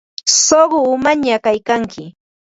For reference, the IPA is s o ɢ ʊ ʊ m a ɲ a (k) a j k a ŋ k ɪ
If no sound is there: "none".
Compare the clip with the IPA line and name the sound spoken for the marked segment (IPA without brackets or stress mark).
k